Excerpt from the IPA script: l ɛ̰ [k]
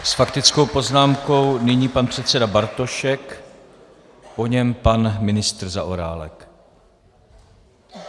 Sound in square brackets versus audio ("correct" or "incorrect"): correct